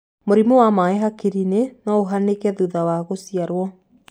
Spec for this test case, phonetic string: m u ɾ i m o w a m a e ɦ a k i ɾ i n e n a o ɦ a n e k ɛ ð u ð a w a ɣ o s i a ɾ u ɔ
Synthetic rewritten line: m o ɾ i m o w a m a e ɦ a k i ɾ i n e n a o ɦ a n e k ɛ ð u ð a w a ɣ o s i a ɾ w ɔ